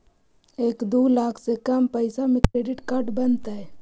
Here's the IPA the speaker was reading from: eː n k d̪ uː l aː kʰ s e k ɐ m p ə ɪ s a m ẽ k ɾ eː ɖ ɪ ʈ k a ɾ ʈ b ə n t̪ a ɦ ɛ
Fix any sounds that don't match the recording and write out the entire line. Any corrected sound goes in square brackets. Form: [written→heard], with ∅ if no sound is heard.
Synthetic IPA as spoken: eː [n→∅] k d̪ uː l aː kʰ s e k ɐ m p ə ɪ s a m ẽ k ɾ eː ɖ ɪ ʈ k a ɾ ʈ b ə n t̪ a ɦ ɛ